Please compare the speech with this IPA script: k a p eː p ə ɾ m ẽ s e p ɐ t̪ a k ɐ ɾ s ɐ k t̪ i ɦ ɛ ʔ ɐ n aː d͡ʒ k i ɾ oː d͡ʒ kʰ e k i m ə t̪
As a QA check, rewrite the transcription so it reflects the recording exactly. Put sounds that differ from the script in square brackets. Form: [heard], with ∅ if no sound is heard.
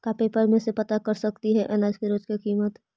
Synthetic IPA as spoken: k a p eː p ə ɾ m ẽ s e p ɐ t̪ a k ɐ ɾ s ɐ k t̪ i ɦ ɛ ʔ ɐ n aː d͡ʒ k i ɾ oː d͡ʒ [k] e k [iː] m ə t̪